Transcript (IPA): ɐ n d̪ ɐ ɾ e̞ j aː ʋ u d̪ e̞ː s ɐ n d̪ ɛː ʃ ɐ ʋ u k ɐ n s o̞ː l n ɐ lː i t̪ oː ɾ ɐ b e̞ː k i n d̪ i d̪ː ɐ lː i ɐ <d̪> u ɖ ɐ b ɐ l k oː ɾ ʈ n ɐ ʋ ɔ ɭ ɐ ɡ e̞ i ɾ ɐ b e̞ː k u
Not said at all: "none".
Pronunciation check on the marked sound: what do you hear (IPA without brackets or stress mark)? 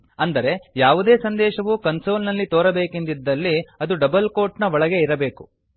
d̪